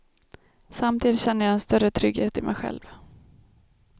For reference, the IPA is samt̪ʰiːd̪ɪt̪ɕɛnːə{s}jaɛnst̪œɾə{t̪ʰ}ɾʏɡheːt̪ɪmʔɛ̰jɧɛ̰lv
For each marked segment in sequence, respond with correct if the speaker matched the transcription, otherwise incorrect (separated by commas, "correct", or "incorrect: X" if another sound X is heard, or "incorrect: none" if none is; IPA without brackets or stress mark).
incorrect: none, correct